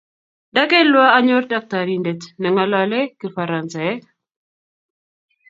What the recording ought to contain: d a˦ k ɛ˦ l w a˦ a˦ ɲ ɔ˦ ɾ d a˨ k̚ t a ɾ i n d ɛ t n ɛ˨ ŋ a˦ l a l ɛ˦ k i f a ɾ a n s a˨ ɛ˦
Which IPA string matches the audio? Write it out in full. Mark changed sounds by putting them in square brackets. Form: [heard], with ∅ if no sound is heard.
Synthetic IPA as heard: d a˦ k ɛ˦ l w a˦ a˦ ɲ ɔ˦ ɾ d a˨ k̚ t a ɾ i n d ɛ t n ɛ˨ ŋ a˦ l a l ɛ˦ k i f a ɾ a n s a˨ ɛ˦

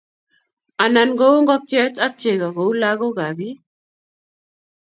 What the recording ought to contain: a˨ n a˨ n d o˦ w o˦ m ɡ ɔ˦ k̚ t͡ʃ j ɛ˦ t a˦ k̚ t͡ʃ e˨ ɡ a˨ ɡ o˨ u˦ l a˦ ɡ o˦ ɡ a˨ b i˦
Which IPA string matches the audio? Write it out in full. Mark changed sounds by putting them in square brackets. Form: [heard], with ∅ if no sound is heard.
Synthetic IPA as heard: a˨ n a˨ n [ɡ] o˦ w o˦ [ŋ] ɡ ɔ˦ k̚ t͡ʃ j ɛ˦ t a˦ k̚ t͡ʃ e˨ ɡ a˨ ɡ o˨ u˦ l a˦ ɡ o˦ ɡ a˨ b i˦

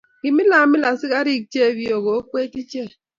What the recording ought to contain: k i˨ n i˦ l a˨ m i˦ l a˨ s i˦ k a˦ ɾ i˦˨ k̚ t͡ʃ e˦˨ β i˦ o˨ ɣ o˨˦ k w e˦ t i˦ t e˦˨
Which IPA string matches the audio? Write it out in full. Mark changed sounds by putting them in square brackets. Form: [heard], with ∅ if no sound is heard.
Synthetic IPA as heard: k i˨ [m] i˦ l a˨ m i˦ l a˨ s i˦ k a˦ ɾ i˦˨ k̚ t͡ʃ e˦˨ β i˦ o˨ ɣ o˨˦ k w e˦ t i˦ [t͡ʃ] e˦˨

